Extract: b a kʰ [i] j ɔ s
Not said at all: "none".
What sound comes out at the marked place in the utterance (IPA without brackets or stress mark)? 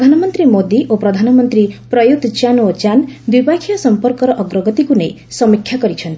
i